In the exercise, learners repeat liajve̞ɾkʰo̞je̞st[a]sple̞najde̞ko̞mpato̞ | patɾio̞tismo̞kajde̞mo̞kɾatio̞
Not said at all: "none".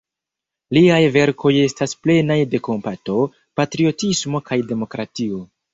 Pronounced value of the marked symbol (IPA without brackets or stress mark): a